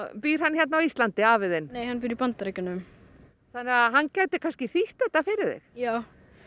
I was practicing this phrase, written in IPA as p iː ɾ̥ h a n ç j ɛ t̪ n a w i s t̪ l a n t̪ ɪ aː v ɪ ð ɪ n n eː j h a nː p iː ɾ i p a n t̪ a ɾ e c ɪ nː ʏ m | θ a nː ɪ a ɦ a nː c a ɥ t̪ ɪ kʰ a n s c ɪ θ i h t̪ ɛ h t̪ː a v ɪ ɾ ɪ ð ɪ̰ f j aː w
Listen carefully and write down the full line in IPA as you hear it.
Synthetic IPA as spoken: p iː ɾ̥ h a n ç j ɛ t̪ n a w i s t̪ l a n t̪ ɪ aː v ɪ ð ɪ n n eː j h a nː p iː ɾ i p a n t̪ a ɾ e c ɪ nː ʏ m | θ a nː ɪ a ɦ a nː c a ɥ t̪ ɪ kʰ a n s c ɪ θ i h t̪ ɛ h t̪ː a f ɪ ɾ ɪ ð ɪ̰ x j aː w